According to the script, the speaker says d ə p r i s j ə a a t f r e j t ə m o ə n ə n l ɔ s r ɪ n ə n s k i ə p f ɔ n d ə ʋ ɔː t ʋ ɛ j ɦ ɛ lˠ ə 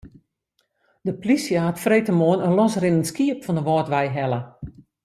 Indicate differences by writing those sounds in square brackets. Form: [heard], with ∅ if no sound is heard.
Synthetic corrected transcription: d ə p [l] i s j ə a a t f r e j t ə m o ə n ə n l ɔ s r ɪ n ə n s k i ə p f ɔ n d ə ʋ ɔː t ʋ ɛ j ɦ ɛ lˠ ə

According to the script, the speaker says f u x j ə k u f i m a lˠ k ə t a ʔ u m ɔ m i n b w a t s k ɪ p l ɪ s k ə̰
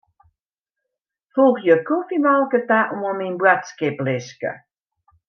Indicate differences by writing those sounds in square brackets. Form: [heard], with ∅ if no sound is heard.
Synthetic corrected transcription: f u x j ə k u f i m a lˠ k ə t a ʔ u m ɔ m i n b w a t s k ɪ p l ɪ s k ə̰

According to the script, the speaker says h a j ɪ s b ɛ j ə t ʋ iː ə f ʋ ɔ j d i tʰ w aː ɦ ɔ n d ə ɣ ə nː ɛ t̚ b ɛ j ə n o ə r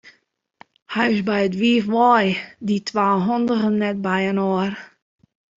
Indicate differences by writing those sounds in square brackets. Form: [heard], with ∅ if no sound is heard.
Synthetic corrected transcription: h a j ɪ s b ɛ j ə t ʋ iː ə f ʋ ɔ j d i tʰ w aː ɦ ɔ n d ə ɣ ə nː ɛ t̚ b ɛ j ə n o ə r

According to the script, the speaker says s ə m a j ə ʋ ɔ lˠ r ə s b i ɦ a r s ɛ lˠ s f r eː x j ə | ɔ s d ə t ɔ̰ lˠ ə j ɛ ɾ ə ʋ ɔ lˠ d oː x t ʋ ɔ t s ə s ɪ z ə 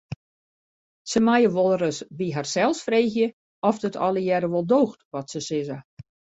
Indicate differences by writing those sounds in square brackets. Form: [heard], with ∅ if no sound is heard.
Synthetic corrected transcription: s ə m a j ə ʋ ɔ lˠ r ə s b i ɦ a r s ɛ lˠ s f r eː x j ə | ɔ [f] d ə t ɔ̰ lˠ ə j ɛ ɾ ə ʋ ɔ lˠ d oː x t ʋ ɔ t s ə s ɪ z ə

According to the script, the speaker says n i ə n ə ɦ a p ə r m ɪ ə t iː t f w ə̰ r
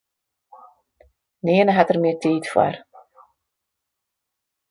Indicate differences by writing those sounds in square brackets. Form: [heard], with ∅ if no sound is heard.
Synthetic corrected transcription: n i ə n ə ɦ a [t] ə r m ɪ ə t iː t f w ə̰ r

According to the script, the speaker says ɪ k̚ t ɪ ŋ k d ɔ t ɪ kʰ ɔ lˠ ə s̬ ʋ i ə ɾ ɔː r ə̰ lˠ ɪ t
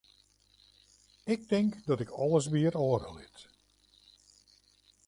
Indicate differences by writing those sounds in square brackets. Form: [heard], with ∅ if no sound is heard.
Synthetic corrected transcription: ɪ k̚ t ɪ ŋ k d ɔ t ɪ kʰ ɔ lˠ ə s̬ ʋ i ə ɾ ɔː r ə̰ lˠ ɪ t

